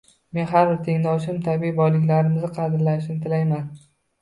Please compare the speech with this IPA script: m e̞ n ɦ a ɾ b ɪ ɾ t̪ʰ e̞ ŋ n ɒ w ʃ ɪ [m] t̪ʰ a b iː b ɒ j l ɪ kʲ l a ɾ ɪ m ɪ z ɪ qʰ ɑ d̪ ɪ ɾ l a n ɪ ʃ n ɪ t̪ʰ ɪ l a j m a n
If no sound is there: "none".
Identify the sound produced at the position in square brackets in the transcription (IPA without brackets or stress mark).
m